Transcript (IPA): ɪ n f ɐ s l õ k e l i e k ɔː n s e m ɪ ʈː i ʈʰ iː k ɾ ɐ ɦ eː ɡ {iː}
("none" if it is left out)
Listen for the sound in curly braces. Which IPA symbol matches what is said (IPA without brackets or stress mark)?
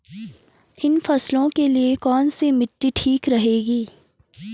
iː